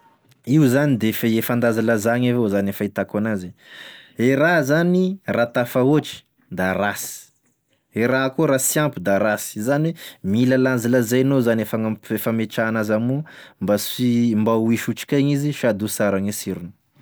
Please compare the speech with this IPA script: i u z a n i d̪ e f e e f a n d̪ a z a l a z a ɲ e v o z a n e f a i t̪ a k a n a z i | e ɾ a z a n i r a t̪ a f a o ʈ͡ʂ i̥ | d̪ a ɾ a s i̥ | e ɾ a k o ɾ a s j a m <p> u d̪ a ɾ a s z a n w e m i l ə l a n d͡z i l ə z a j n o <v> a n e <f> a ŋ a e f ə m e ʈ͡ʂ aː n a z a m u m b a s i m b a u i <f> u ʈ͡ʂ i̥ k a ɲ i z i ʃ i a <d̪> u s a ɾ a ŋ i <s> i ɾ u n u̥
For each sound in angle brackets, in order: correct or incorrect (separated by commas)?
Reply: correct, incorrect, correct, incorrect, correct, correct